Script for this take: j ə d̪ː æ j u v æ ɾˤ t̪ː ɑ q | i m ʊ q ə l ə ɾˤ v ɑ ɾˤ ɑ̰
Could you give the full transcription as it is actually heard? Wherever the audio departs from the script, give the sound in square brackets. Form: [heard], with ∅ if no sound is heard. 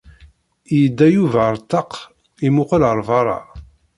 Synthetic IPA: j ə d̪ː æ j u v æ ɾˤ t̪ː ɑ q | i m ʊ q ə l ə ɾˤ v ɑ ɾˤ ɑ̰